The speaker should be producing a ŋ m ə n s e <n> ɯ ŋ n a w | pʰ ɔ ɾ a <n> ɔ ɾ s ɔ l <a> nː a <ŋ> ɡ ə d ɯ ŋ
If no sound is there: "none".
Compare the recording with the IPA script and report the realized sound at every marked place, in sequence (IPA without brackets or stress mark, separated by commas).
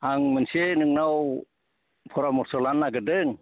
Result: n, m, a, none